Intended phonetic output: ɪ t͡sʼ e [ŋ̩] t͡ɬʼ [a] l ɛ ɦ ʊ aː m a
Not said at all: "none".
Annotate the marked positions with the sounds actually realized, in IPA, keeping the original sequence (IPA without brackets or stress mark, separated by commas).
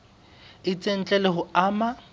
n̩, ɛ